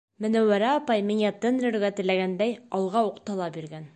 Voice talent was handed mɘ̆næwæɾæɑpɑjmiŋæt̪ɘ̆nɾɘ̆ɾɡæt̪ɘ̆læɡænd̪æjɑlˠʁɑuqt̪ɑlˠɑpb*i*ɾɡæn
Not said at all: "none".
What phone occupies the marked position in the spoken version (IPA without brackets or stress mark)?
i